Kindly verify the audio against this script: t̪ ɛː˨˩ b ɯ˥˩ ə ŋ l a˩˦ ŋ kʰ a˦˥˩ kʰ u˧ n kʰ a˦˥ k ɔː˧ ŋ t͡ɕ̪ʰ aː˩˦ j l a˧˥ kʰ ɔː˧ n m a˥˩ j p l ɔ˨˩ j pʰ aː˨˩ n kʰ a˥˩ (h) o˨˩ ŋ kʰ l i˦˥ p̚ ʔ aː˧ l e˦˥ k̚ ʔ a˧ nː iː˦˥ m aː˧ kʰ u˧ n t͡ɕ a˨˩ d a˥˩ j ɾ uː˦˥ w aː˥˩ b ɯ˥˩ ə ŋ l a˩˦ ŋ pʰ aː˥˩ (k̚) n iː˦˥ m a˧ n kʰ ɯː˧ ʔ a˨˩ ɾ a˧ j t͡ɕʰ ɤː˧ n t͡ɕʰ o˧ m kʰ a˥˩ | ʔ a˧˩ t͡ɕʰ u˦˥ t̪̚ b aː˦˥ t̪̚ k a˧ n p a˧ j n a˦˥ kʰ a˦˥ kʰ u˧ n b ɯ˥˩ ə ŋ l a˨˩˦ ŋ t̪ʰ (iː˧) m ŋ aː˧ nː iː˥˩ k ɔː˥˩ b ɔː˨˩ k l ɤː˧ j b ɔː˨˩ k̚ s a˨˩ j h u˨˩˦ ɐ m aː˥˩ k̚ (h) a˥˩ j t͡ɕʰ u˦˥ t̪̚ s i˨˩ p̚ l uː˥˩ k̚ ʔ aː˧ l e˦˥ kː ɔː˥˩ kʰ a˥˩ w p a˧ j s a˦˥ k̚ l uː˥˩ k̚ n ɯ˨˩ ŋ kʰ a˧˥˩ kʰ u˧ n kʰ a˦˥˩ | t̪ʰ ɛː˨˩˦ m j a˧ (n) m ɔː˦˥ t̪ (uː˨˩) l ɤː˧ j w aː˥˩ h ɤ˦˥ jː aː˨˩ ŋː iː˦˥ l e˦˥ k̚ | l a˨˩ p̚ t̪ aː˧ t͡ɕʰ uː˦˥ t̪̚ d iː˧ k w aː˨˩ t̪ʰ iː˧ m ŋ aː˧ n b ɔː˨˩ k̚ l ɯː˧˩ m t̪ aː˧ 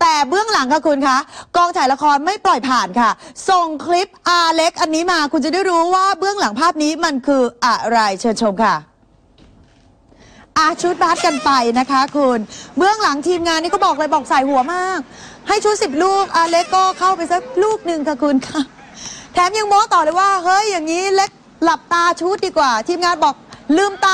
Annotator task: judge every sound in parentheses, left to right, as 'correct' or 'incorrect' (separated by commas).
incorrect, incorrect, correct, correct, incorrect, incorrect